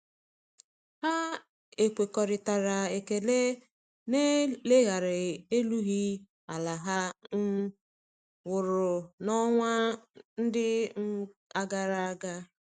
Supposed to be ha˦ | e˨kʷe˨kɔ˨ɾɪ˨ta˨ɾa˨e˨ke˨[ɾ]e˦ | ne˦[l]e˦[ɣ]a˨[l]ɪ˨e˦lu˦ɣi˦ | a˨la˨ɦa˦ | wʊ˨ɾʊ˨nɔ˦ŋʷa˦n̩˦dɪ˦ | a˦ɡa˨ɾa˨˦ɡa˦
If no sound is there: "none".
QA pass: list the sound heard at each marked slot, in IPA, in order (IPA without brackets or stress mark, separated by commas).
l, l, ɣ, ɾ